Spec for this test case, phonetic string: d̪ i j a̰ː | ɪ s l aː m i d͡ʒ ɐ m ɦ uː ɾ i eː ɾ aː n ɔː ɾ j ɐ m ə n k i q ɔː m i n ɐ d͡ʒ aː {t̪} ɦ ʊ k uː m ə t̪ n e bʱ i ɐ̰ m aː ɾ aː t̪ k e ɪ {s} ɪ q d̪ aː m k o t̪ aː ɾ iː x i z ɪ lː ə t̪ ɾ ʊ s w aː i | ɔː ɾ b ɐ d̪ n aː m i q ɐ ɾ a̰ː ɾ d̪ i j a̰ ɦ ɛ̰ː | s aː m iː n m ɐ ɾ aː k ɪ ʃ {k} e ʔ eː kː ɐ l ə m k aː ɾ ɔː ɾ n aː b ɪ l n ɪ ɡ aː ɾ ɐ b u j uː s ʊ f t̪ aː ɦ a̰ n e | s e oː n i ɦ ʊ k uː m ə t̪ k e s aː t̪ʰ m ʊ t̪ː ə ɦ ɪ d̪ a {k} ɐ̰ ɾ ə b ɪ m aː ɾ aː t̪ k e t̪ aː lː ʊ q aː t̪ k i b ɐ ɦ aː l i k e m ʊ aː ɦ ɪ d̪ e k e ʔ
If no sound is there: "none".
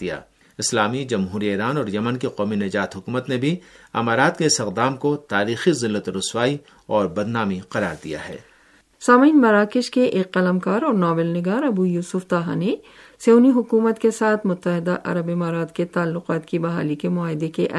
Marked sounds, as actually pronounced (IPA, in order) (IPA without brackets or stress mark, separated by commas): t̪, s, k, ʔ